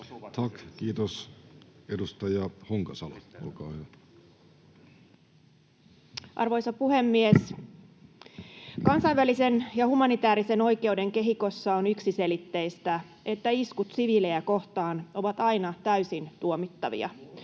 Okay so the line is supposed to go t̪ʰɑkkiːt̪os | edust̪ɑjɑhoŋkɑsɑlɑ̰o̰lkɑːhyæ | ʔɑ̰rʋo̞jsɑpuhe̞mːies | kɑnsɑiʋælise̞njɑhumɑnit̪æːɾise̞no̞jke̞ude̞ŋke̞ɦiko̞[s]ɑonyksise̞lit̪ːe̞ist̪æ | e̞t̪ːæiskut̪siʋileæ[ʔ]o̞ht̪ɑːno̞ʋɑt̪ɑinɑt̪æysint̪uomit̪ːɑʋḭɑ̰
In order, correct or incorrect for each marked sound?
incorrect: sː, incorrect: k

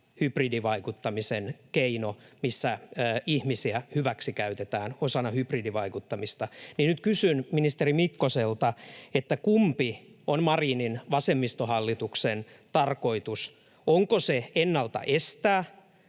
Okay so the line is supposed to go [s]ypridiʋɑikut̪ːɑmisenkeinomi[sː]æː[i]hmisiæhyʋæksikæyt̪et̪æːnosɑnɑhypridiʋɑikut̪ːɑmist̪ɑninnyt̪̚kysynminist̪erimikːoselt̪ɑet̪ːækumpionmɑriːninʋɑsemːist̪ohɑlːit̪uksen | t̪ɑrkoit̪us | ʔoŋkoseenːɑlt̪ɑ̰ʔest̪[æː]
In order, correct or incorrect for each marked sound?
incorrect: h, correct, correct, correct

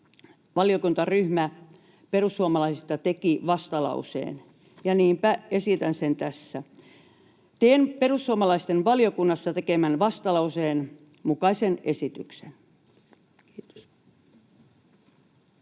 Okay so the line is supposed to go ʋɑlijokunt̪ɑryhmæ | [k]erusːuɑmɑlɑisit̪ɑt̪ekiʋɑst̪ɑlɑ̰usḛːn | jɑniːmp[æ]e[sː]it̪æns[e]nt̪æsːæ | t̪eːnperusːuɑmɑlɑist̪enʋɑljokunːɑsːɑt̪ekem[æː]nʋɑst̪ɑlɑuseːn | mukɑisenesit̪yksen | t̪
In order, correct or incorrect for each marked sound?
incorrect: p, correct, incorrect: s, correct, incorrect: æ

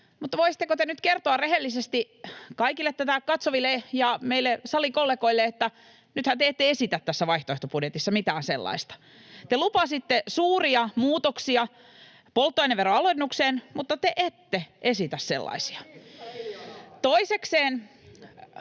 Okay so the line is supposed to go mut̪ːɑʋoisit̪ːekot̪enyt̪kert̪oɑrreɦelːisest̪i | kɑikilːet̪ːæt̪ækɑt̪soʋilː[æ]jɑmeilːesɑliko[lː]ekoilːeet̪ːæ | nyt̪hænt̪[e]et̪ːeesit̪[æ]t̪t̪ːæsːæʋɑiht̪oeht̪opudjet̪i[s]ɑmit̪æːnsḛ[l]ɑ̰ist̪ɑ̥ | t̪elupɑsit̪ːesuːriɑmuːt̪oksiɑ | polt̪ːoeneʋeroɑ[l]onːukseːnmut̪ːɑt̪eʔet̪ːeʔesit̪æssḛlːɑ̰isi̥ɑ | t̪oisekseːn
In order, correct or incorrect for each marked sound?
incorrect: e, correct, correct, correct, incorrect: sː, incorrect: lː, correct

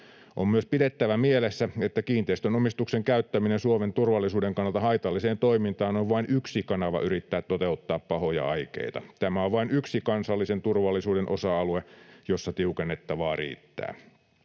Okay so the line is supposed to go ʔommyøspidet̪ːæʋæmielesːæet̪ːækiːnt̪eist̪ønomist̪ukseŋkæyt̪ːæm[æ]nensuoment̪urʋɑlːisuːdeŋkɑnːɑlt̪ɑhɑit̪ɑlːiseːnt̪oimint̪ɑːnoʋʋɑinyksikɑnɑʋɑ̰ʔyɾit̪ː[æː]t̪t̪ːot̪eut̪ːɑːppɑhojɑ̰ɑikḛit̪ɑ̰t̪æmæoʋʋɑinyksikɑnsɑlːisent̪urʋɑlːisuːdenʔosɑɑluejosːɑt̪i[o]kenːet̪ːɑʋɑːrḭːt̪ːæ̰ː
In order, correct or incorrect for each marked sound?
incorrect: i, correct, incorrect: u

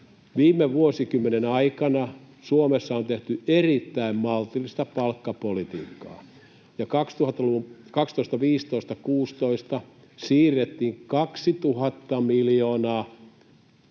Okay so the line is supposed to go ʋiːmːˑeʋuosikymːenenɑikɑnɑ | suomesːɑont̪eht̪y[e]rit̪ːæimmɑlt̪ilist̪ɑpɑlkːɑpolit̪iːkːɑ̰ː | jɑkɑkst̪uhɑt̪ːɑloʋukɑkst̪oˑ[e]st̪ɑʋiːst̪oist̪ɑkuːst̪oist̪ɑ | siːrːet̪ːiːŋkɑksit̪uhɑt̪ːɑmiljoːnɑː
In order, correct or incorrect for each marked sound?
correct, incorrect: i

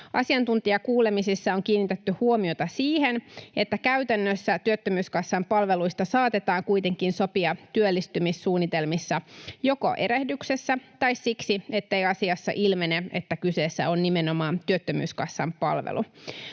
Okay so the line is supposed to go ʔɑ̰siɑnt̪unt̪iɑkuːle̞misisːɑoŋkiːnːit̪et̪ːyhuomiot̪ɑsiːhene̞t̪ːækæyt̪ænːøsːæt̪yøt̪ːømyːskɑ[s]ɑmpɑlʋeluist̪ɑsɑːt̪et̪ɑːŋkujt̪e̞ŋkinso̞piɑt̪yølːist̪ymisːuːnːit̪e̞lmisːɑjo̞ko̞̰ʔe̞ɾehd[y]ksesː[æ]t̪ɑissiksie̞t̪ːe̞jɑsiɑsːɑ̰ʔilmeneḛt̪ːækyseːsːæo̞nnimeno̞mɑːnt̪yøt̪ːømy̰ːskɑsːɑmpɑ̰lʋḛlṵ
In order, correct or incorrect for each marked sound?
incorrect: sː, correct, correct

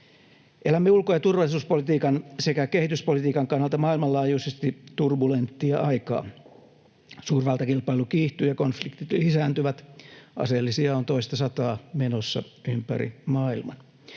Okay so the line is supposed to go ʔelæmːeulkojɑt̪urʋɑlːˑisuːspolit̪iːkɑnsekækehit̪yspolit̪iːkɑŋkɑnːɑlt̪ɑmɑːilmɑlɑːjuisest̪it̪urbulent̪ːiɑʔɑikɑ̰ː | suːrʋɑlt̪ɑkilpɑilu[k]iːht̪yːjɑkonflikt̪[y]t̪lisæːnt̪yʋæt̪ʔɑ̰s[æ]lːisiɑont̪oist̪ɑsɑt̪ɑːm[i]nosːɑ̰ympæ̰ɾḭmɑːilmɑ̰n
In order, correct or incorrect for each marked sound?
correct, incorrect: i, incorrect: e, incorrect: e

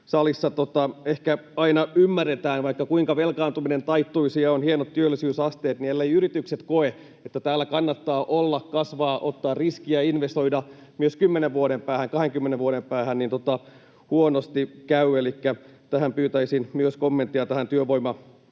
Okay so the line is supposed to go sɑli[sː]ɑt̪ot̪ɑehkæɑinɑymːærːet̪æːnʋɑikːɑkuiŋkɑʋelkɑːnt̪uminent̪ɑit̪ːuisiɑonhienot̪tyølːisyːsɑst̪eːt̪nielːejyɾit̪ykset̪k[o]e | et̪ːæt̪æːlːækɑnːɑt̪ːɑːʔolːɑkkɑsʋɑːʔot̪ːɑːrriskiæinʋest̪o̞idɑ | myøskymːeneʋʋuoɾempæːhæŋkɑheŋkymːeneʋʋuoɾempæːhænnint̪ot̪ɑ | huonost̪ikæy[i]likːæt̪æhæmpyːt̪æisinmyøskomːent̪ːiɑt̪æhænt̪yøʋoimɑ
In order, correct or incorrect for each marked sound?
correct, correct, incorrect: e

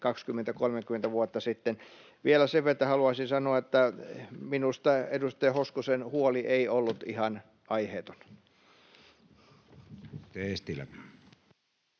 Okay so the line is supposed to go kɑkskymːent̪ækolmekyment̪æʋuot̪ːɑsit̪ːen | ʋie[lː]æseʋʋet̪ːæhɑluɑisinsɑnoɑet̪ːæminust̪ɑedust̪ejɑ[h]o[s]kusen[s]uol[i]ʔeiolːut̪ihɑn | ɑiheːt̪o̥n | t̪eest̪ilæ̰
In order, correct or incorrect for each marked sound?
incorrect: l, correct, correct, incorrect: h, correct

